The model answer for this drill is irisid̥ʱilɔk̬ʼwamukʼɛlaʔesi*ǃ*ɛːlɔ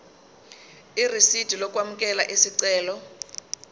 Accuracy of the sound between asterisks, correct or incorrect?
incorrect